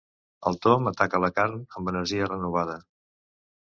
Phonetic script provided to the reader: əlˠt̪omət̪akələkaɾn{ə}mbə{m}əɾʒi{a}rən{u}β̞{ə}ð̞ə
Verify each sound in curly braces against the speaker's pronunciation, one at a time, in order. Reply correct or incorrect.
correct, incorrect: n, incorrect: ə, correct, incorrect: a

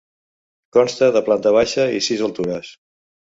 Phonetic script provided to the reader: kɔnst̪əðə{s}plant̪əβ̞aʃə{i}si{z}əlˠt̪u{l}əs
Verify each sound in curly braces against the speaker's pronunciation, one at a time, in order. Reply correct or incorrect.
incorrect: none, correct, correct, incorrect: ɾ

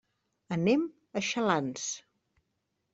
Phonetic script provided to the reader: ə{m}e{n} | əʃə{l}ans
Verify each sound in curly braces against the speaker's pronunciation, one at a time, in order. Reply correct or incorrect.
incorrect: n, incorrect: m, correct

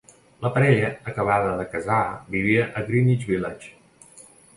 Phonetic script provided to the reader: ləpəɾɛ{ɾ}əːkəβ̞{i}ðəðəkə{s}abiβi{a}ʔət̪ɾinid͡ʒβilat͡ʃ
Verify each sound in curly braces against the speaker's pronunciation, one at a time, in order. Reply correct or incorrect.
incorrect: ʎ, incorrect: a, incorrect: z, incorrect: ə

